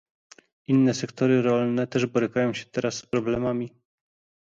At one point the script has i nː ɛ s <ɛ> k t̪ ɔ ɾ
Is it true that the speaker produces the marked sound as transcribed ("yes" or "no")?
yes